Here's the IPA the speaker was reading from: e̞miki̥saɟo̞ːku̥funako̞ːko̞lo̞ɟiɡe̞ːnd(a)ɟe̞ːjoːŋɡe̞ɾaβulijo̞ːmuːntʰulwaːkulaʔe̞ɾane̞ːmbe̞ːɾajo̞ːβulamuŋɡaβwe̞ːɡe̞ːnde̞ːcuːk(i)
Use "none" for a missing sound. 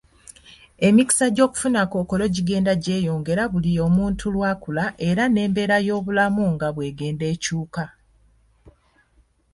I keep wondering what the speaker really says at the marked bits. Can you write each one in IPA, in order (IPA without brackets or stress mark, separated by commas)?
a, a